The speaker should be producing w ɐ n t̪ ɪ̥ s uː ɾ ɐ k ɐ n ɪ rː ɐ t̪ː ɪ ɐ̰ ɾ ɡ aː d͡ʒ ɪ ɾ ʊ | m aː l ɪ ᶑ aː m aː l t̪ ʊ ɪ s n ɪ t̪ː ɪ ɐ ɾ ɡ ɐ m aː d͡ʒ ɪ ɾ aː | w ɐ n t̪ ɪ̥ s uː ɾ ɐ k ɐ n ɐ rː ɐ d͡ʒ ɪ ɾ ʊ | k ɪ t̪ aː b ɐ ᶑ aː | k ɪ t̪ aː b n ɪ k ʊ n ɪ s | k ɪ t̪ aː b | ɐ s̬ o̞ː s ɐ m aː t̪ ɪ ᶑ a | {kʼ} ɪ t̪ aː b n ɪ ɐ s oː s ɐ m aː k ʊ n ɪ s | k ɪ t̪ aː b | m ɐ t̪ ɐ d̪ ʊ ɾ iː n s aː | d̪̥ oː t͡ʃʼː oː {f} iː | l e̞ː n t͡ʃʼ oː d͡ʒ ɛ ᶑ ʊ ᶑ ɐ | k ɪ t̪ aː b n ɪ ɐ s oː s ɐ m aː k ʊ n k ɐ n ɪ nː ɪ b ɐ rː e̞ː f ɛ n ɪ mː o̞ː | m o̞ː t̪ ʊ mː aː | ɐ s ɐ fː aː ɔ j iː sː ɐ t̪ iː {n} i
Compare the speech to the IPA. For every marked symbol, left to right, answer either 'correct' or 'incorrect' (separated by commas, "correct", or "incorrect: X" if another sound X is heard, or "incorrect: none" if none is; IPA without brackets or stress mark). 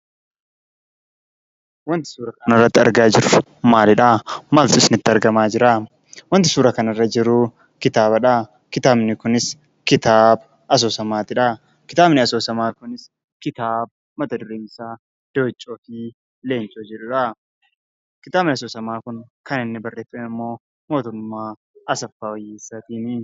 incorrect: k, correct, correct